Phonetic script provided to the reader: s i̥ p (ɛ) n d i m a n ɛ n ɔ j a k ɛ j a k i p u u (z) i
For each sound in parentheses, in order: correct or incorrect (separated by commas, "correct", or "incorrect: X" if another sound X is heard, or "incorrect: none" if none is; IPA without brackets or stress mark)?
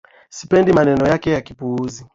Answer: correct, correct